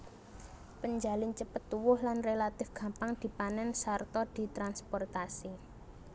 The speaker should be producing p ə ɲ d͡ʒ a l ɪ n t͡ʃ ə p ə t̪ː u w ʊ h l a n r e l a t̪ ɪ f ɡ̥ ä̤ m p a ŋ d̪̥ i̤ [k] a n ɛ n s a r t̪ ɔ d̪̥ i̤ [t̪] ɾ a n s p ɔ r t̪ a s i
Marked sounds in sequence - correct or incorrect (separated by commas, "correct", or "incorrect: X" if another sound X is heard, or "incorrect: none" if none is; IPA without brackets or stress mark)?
incorrect: p, correct